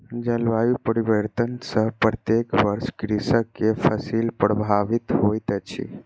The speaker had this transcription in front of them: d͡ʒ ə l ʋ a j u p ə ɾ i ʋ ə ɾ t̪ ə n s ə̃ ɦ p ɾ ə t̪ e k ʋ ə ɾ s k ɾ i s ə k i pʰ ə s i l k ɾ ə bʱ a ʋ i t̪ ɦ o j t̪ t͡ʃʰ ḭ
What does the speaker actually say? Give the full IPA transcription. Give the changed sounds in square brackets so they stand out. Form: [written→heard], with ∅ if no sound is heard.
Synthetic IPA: d͡ʒ ə l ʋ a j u p ə ɾ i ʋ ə ɾ t̪ ə n s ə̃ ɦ p ɾ ə t̪ e k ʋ ə ɾ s k ɾ i s ə k [i→e] pʰ ə s i l [k→p] ɾ ə bʱ a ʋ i t̪ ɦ o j t̪ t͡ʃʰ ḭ